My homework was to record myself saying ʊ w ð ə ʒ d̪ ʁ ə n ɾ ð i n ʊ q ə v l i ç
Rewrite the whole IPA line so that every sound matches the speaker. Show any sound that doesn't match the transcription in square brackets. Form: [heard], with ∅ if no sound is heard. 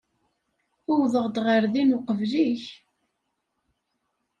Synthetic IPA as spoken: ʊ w ð ə [ʁ] d̪ ʁ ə [∅] ɾ ð i n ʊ q ə v l i ç